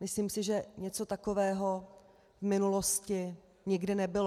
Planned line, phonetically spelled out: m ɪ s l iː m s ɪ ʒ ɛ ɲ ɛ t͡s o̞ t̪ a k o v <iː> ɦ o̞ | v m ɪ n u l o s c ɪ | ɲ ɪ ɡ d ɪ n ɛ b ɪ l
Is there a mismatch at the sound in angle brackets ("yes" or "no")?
yes